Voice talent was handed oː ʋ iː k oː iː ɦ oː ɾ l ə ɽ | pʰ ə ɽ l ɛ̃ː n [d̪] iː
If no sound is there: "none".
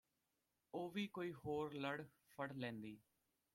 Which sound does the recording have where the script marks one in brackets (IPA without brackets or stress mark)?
d̪